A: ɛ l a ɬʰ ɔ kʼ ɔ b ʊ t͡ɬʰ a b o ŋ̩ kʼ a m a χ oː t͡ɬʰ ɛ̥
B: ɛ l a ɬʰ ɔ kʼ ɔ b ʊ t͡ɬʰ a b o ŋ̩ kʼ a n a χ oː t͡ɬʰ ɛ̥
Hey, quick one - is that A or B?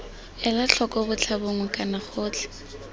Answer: B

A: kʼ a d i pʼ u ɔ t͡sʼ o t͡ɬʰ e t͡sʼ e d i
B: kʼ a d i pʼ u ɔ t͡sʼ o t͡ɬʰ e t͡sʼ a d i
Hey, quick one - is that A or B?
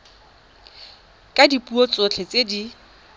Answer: A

